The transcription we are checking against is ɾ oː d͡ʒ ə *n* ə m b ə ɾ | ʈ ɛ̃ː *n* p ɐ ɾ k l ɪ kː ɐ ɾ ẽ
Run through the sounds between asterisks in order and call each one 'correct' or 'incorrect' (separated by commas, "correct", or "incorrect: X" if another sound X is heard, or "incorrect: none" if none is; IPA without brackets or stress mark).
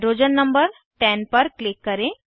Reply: incorrect: nː, correct